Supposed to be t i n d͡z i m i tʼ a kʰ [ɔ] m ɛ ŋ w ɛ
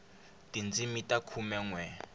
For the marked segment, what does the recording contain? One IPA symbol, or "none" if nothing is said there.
u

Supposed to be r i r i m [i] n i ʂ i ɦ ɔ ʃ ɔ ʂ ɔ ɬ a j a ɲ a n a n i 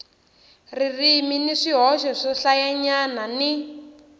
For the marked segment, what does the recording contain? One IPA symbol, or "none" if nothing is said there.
i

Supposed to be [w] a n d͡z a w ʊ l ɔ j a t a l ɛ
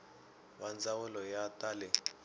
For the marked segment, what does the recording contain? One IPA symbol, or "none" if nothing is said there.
w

